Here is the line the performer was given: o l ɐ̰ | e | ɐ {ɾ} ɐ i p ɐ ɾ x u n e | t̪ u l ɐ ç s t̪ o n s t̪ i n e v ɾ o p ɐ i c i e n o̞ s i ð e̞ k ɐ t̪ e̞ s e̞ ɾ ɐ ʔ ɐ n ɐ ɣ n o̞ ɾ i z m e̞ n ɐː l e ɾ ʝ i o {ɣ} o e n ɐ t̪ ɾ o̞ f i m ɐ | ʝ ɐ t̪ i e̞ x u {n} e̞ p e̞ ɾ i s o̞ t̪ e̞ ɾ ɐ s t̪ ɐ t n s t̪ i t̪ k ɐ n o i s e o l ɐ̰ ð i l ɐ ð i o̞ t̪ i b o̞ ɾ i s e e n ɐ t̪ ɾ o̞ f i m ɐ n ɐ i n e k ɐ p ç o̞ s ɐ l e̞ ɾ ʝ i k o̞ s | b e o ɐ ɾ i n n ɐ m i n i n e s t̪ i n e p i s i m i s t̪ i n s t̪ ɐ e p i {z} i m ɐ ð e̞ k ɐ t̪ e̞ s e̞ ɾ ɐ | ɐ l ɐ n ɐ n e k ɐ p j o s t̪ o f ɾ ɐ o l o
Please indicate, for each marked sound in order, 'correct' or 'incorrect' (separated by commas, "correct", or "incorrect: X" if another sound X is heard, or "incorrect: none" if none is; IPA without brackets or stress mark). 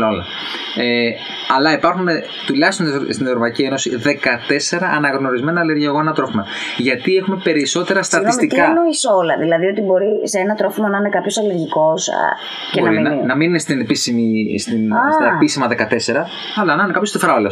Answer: incorrect: l, correct, incorrect: m, incorrect: s